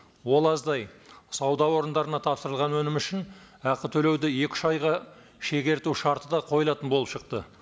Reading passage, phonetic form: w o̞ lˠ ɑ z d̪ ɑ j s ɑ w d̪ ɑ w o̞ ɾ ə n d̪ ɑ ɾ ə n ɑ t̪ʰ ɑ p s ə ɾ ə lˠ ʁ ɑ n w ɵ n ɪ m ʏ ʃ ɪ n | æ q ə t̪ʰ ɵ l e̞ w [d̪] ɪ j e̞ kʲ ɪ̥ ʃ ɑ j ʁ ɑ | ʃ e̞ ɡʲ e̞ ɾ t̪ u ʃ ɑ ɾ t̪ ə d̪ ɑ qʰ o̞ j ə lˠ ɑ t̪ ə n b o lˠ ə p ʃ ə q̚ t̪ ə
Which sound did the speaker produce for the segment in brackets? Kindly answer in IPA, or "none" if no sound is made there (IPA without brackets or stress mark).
d̪